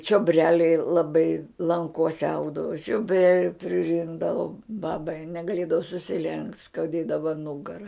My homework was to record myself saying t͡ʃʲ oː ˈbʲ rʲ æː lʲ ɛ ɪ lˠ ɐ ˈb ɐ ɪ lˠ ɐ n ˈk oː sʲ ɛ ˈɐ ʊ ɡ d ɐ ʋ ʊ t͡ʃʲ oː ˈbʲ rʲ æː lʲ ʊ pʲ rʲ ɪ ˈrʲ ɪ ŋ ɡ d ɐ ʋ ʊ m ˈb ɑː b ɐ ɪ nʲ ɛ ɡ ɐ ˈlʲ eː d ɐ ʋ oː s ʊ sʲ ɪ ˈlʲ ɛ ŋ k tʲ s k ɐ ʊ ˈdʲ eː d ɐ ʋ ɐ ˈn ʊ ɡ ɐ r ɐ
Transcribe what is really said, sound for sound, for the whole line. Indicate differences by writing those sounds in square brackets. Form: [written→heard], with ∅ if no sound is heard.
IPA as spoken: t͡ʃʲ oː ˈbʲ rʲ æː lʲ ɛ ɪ lˠ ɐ ˈb ɐ ɪ lˠ ɐ [n→ŋ] ˈk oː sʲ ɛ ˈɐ ʊ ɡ d ɐ ʋ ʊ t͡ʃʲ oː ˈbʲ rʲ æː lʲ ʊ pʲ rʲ ɪ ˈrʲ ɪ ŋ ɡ d ɐ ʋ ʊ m ˈb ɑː b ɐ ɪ nʲ ɛ ɡ ɐ ˈlʲ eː d ɐ ʋ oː s ʊ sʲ ɪ ˈlʲ ɛ ŋ k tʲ s k ɐ ʊ ˈdʲ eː d ɐ ʋ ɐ ˈn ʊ ɡ ɐ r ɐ

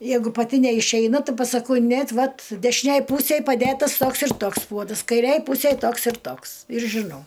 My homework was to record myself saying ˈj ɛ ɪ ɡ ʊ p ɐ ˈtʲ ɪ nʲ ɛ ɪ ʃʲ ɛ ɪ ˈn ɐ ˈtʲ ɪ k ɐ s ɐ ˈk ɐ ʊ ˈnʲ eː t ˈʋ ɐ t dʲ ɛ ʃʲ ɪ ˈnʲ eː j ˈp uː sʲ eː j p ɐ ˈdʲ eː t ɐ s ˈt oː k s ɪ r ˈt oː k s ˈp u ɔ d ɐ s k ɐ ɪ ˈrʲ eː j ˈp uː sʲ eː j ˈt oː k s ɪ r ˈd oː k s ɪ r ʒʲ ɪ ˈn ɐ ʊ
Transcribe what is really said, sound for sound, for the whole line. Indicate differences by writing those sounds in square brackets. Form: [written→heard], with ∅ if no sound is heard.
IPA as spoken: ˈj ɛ ɪ ɡ ʊ p ɐ ˈtʲ ɪ nʲ ɛ ɪ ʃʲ ɛ ɪ ˈn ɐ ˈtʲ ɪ [k→p] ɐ s ɐ ˈk ɐ ʊ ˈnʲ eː t ˈʋ ɐ t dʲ ɛ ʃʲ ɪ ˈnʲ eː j ˈp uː sʲ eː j p ɐ ˈdʲ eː t ɐ s ˈt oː k s ɪ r ˈt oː k s ˈp u ɔ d ɐ s k ɐ ɪ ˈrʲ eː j ˈp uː sʲ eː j ˈt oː k s ɪ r [ˈd→ˈt] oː k s ɪ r ʒʲ ɪ ˈn ɐ ʊ

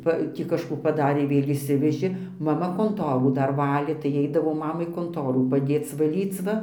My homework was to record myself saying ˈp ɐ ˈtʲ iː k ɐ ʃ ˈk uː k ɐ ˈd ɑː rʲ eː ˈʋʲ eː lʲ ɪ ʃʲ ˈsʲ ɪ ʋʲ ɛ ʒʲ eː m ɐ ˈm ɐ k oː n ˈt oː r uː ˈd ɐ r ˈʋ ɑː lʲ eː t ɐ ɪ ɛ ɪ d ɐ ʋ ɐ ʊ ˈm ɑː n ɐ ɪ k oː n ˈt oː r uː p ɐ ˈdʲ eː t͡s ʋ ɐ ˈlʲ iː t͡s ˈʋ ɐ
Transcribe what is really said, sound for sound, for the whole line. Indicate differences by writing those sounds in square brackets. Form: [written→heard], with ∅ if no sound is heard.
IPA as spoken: ˈp ɐ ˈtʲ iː k ɐ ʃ ˈk uː [k→p] ɐ ˈd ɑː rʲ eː ˈʋʲ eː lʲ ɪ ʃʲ ˈsʲ ɪ ʋʲ ɛ ʒʲ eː m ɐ ˈm ɐ k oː n ˈt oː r uː ˈd ɐ r ˈʋ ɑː lʲ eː t ɐ ɪ ɛ ɪ d ɐ ʋ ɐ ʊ ˈm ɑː [n→m] ɐ ɪ k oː n ˈt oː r uː p ɐ ˈdʲ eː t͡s ʋ ɐ ˈlʲ iː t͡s ˈʋ ɐ

